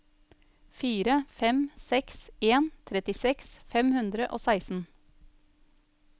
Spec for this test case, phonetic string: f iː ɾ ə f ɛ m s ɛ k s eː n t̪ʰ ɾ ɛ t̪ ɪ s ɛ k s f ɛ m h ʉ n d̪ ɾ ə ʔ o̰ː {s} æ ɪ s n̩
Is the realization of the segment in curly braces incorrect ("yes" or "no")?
no